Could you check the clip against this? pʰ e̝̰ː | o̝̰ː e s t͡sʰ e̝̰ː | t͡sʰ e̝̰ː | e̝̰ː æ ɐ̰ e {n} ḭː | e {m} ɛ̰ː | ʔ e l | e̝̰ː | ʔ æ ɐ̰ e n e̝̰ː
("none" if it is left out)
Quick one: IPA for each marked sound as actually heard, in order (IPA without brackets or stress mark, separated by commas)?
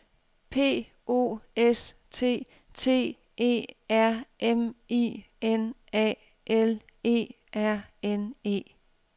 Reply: m, n